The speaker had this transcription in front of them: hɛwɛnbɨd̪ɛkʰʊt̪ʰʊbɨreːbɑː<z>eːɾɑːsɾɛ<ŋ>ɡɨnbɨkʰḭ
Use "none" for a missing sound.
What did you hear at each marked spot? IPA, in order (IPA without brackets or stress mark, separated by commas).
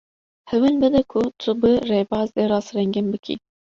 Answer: z, ŋ